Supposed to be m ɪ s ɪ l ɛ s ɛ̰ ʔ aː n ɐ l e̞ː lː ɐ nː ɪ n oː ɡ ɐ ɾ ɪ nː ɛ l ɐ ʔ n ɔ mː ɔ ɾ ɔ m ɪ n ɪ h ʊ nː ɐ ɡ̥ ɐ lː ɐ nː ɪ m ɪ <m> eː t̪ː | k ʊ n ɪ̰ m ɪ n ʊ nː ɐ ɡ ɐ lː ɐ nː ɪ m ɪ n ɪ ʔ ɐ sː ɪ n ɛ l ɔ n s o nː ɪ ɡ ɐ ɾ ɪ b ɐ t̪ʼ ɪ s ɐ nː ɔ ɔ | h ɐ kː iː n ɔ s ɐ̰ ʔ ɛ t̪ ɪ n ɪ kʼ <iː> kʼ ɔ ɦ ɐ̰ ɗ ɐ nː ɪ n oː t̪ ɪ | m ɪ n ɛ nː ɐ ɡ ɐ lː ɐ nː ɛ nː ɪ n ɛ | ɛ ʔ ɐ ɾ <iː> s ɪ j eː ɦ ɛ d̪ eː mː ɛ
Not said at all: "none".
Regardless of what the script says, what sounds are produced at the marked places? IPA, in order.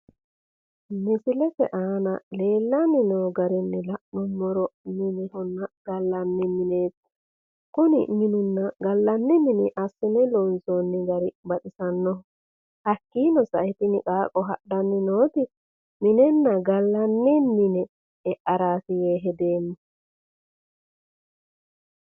n, aː, aː

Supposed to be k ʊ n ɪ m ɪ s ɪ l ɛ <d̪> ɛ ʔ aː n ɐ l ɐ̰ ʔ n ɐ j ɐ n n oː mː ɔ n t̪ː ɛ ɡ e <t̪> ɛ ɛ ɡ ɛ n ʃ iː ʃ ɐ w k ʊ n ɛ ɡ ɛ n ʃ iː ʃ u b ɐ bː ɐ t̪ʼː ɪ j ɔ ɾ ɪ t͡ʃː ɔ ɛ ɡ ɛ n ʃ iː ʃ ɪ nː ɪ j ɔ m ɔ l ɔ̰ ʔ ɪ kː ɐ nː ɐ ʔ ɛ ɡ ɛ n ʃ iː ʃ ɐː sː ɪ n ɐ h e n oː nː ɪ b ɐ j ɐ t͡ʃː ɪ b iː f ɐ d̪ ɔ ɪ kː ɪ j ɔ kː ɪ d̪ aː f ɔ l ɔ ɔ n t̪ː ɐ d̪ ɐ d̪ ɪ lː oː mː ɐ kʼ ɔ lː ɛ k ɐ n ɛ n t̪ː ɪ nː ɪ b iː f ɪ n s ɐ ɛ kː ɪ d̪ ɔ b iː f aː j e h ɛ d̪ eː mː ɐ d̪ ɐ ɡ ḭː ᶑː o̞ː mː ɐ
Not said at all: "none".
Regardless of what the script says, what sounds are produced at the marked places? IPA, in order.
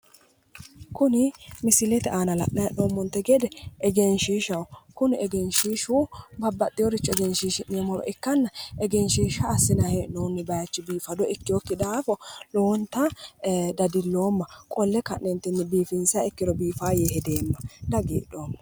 t̪, d̪

